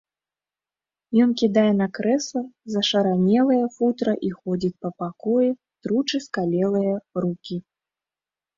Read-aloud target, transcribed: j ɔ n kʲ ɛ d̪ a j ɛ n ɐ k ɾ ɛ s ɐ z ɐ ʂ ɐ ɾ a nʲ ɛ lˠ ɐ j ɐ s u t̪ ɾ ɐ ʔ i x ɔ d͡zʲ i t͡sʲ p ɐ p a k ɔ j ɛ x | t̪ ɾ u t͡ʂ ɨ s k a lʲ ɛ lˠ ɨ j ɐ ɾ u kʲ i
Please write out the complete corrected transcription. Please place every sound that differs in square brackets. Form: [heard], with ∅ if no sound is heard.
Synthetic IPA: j ɔ n kʲ [i] d̪ a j ɛ n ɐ k ɾ ɛ s ɐ z ɐ ʂ ɐ ɾ a nʲ ɛ lˠ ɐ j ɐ [f] u t̪ ɾ ɐ ʔ i x ɔ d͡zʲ i t͡sʲ p ɐ p a k ɔ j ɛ [∅] | t̪ ɾ u t͡ʂ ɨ s k a lʲ ɛ lˠ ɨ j ɐ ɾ u kʲ i

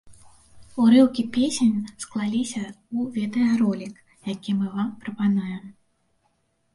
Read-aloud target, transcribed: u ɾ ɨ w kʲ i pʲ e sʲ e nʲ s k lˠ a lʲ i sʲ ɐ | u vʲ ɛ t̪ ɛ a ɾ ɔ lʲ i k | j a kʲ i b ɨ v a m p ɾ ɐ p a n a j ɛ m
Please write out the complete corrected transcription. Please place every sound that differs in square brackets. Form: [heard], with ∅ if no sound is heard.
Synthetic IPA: u ɾ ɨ w kʲ i pʲ e sʲ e nʲ s k lˠ a lʲ i sʲ ɐ | u vʲ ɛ t̪ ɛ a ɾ ɔ lʲ i k | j a kʲ i [m] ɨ v a m p ɾ ɐ p a n a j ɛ m

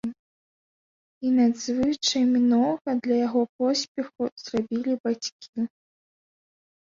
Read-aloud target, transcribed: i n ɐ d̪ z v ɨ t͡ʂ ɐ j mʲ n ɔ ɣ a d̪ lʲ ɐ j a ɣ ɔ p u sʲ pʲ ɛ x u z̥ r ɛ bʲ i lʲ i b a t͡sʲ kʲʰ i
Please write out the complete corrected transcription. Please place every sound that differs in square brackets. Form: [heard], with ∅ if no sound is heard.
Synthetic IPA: i n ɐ d̪ z v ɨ t͡ʂ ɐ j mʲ n ɔ ɣ [ɐ] d̪ lʲ ɐ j a ɣ ɔ p [ɔ] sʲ pʲ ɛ x u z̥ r [a] bʲ i lʲ i b a t͡sʲ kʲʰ i

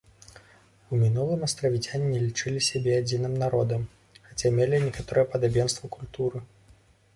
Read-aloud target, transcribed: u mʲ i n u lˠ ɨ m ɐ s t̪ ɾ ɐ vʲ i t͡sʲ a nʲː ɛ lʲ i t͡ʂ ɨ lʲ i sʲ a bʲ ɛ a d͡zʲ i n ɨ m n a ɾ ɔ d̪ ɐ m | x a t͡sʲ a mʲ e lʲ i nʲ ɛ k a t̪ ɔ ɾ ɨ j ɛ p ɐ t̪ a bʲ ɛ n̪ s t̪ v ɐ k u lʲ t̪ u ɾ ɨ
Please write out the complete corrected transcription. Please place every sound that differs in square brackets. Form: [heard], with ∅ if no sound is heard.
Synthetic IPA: u mʲ i n u lˠ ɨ m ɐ s t̪ ɾ ɐ vʲ i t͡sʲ a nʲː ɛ lʲ i t͡ʂ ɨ lʲ i sʲ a bʲ ɛ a d͡zʲ i n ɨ m n a ɾ ɔ d̪ ɐ m | x a t͡sʲ a mʲ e lʲ i nʲ ɛ k a t̪ ɔ ɾ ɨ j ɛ p ɐ [d̪] a bʲ ɛ n̪ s t̪ v ɐ k u lʲ t̪ u ɾ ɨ

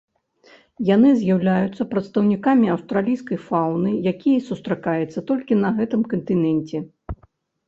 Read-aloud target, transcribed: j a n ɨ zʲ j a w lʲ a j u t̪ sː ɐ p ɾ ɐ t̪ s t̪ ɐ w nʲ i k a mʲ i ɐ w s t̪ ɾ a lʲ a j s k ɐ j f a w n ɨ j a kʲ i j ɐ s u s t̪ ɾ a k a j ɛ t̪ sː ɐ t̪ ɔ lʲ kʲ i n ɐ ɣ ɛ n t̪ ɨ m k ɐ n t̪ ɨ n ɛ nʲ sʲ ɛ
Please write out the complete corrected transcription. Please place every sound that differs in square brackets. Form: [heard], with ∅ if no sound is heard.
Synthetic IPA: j a n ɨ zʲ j a w lʲ a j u t̪ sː ɐ p ɾ ɐ t̪ s t̪ ɐ w nʲ i k a mʲ i ɐ w s t̪ ɾ a lʲ [i] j s k ɐ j f a w n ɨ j a kʲ i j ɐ s u s t̪ ɾ a k a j ɛ t̪ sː ɐ t̪ ɔ lʲ kʲ i n ɐ ɣ ɛ [∅] t̪ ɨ m k ɐ n t̪ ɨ n ɛ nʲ [t͡sʲ] ɛ

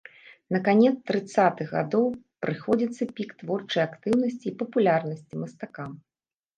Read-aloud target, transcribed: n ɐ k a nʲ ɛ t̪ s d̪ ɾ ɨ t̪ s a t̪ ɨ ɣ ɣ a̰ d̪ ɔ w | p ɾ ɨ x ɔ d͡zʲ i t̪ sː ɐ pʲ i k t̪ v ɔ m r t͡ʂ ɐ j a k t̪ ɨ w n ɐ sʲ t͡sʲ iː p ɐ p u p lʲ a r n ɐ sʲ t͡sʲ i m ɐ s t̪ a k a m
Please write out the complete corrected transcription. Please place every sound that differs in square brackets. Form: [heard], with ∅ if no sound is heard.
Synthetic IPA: n ɐ k a nʲ ɛ t̪ s [t̪] ɾ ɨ t̪ s a t̪ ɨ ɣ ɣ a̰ d̪ ɔ w | p ɾ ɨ x ɔ d͡zʲ i t̪ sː ɐ pʲ i k t̪ v ɔ [∅] r t͡ʂ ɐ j a k t̪ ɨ w n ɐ sʲ t͡sʲ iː p ɐ p u [∅] lʲ a r n ɐ sʲ t͡sʲ i m ɐ s t̪ a k a m

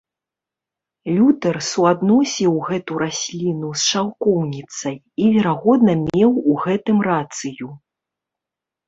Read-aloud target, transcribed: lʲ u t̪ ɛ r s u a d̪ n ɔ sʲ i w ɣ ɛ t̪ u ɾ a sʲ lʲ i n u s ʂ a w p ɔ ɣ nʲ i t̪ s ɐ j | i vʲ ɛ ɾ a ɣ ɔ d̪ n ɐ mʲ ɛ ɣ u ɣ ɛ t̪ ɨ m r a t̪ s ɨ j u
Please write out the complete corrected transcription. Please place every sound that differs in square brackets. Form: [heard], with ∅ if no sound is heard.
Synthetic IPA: lʲ u t̪ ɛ r s u a d̪ n ɔ sʲ i w ɣ ɛ t̪ u ɾ a sʲ lʲ i n u s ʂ a w [k] ɔ [w] nʲ i t̪ s ɐ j | i vʲ ɛ ɾ a ɣ ɔ d̪ n ɐ mʲ ɛ [w] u ɣ ɛ t̪ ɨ m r a t̪ s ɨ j u

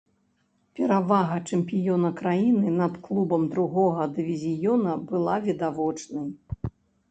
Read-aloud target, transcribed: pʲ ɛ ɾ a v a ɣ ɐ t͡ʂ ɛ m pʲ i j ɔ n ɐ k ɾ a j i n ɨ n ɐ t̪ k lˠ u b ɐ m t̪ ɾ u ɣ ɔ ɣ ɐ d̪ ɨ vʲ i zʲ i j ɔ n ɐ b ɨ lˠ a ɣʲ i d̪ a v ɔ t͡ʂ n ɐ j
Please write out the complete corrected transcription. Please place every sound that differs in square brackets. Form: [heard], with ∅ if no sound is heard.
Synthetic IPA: pʲ ɛ ɾ a v a ɣ ɐ t͡ʂ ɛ m pʲ i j ɔ n ɐ k ɾ a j i n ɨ n ɐ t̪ k lˠ u b ɐ m [d̪] ɾ u ɣ ɔ ɣ ɐ d̪ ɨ vʲ i zʲ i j ɔ n ɐ b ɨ lˠ a [vʲ] i d̪ a v ɔ t͡ʂ n ɐ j

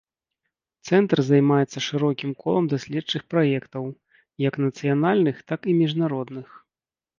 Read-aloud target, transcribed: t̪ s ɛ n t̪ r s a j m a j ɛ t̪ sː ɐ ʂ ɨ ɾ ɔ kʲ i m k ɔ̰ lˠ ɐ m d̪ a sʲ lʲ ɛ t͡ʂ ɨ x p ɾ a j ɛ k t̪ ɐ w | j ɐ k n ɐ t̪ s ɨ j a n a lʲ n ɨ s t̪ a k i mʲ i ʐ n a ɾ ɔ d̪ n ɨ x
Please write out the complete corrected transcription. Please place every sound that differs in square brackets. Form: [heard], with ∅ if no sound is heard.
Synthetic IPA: t̪ s ɛ n t̪ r [z] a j m a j ɛ t̪ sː ɐ ʂ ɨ ɾ ɔ kʲ i m k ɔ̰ lˠ ɐ m d̪ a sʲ lʲ ɛ t͡ʂ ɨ x p ɾ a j ɛ k t̪ ɐ w | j ɐ k n ɐ t̪ s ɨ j a n a lʲ n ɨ [x] t̪ a k i mʲ i ʐ n a ɾ ɔ d̪ n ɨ x

